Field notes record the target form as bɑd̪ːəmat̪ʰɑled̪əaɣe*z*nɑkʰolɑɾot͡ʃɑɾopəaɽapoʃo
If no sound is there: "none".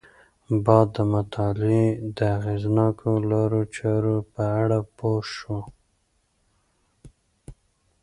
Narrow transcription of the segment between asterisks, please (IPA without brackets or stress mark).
z